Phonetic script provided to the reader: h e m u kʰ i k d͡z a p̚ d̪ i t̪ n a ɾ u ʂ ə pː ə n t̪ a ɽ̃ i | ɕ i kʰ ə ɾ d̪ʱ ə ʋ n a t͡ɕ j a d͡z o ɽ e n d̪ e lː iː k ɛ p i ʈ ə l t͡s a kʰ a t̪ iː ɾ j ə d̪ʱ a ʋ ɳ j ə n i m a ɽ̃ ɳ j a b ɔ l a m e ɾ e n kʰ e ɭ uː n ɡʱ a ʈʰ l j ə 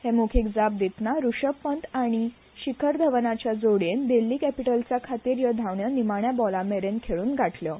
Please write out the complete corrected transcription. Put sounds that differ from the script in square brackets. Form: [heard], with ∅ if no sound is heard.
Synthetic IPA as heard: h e m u kʰ i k d͡z a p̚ d̪ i t̪ n a ɾ u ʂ ə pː ə n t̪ a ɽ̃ i | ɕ i kʰ ə ɾ d̪ʱ ə ʋ n a t͡ɕ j a d͡z o ɽ e n d̪ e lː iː k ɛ p i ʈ ə l t͡s a kʰ a t̪ iː ɾ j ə d̪ʱ a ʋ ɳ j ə n i m a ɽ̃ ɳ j a b ɔ l a m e ɾ e n kʰ e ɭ uː n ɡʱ a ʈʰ l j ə